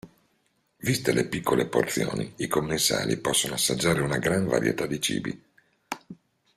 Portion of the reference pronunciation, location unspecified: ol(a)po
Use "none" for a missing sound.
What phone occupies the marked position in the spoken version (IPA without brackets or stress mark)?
e